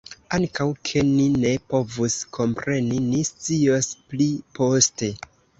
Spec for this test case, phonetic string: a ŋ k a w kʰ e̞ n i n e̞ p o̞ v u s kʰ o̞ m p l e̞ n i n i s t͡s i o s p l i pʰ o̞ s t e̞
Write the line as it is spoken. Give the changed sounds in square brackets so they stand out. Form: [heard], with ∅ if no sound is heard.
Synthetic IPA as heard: a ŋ k a w kʰ e̞ n i n e̞ p o̞ v u s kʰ o̞ m p [ɾ] e̞ n i n i s t͡s i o s p l i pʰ o̞ s t e̞